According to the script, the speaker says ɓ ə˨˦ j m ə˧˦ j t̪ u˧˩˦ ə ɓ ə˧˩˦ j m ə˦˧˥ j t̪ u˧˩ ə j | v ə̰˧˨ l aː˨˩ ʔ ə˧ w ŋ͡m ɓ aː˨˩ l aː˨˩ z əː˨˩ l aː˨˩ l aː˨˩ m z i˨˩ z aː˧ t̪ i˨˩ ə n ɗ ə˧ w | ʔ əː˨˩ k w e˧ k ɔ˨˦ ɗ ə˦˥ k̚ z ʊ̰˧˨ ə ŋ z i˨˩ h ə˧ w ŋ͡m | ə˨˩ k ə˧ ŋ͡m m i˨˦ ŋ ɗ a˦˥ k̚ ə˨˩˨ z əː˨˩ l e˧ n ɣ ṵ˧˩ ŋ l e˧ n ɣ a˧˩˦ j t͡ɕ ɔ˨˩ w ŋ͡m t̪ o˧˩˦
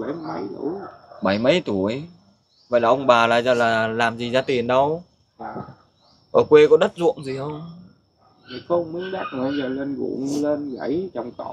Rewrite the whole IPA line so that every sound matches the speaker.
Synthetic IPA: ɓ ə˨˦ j m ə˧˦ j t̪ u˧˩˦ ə ɓ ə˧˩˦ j m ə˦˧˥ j t̪ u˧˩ ə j | v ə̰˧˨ l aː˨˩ ʔ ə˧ w ŋ͡m ɓ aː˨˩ l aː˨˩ z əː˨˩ l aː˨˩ l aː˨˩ m z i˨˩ z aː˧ t̪ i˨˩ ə n ɗ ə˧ w | ʔ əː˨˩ k w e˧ k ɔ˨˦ ɗ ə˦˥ t̚ z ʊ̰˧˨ ə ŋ z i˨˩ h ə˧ w ŋ͡m | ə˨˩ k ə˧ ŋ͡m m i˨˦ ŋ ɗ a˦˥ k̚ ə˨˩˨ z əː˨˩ l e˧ n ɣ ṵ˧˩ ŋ l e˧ n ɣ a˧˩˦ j t͡ɕ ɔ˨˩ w ŋ͡m t̪ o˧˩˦